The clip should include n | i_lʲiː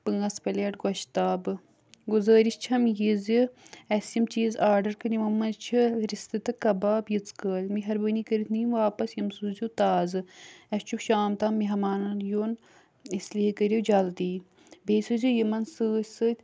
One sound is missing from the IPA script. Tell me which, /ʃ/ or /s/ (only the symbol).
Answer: s